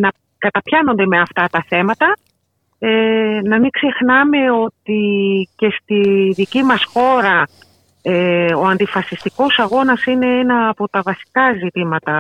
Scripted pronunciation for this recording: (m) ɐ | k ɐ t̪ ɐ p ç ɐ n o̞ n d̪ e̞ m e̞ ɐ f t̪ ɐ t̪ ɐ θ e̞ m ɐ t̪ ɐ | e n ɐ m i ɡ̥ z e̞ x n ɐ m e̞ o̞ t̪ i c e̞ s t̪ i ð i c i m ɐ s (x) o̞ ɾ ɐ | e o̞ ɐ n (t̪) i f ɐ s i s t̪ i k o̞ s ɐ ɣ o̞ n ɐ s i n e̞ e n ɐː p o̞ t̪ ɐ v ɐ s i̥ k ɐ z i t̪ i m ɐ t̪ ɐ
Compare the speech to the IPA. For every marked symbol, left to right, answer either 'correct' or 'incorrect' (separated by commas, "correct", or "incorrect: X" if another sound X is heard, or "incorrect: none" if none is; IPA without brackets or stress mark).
incorrect: n, correct, incorrect: d̪